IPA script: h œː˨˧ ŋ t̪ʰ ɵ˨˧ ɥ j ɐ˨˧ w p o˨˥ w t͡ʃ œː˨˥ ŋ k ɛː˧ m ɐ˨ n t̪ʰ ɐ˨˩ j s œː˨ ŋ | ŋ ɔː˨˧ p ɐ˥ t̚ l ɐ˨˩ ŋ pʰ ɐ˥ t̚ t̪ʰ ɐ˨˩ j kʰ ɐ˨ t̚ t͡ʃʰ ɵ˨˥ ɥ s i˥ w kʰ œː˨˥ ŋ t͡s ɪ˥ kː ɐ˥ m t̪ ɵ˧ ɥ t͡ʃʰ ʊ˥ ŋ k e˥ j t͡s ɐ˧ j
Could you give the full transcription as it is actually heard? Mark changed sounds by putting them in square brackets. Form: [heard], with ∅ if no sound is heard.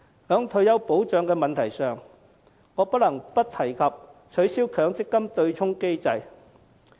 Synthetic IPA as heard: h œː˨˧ ŋ t̪ʰ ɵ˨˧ ɥ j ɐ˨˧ w p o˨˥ w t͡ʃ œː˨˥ ŋ k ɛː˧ m ɐ˨ n t̪ʰ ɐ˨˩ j s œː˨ ŋ | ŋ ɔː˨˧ p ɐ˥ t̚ l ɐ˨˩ ŋ [p] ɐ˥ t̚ t̪ʰ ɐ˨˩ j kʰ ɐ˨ [p̚] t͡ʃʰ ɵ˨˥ ɥ s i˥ w kʰ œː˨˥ ŋ t͡s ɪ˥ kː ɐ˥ m t̪ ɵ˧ ɥ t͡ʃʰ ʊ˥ ŋ k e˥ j t͡s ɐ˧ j